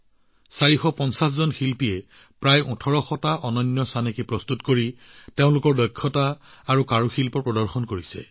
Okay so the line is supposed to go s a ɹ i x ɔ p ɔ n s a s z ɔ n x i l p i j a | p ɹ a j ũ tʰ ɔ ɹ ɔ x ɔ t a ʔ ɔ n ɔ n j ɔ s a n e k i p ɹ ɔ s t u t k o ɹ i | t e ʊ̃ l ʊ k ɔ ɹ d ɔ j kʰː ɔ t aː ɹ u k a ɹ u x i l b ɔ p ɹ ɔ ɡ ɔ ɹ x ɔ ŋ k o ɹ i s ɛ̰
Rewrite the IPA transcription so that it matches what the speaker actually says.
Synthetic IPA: s a ɹ i x ɔ p ɔ n s a s z ɔ n x i l p i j ɛ | p ɹ a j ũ tʰ ɔ ɹ ɔ x ɔ t a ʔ ɔ n ɔ n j ɔ s a n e k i p ɹ ɔ s t u t k o ɹ i | t e ʊ̃ l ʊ k ɔ ɹ d ɔ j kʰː ɔ t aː ɹ u k a ɹ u x i l p ɔ p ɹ ɔ d ɔ ɹ x ɔ n k o ɹ i s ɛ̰